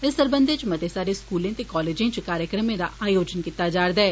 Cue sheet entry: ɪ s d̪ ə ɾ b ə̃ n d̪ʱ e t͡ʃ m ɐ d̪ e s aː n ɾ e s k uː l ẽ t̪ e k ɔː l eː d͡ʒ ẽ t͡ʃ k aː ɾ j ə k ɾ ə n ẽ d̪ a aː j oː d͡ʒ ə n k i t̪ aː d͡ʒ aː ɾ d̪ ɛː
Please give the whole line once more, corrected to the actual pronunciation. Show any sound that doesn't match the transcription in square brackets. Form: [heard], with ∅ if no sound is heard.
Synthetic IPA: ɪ s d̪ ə ɾ b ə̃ n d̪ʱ e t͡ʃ m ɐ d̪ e s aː [∅] ɾ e s k uː l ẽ t̪ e k ɔː l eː d͡ʒ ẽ t͡ʃ k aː ɾ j ə k ɾ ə [m] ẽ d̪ a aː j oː d͡ʒ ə n k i t̪ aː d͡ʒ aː ɾ d̪ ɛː